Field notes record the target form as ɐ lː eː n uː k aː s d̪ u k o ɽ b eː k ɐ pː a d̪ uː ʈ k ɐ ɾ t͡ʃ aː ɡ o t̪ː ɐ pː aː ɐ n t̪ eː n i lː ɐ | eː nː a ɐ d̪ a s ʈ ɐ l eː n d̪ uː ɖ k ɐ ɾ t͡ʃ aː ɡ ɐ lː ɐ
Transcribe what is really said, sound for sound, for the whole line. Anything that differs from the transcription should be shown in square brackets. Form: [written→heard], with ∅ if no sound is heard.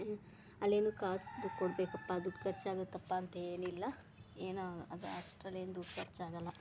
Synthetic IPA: ɐ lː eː n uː k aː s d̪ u k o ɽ b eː k ɐ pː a d̪ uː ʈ k ɐ ɾ t͡ʃ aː ɡ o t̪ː ɐ pː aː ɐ n t̪ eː n i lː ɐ | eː [nː→n] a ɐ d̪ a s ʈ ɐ l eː n d̪ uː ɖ k ɐ ɾ t͡ʃ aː ɡ ɐ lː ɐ